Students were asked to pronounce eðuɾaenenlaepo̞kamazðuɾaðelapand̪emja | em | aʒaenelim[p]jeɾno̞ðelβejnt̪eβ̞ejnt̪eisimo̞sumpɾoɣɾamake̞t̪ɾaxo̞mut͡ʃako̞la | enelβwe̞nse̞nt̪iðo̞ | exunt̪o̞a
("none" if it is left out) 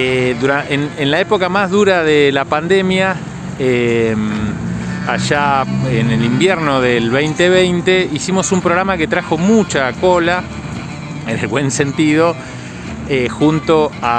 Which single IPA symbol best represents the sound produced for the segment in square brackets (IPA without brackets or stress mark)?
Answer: b